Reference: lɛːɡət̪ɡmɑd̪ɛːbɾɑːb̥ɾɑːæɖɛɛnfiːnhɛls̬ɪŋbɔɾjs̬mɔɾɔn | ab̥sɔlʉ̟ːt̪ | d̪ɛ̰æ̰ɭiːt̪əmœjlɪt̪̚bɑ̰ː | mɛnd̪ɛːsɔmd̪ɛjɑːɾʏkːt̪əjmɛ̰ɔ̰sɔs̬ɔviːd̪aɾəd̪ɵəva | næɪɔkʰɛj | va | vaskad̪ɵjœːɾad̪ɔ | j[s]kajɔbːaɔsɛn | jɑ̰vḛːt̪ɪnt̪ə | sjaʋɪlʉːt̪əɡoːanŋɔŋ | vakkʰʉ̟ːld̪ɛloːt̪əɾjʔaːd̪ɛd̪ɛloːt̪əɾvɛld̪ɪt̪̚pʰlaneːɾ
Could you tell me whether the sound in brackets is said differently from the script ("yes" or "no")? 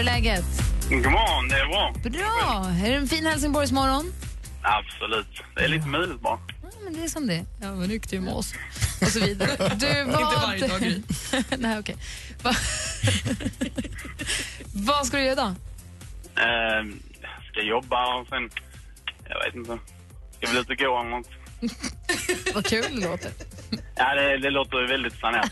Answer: no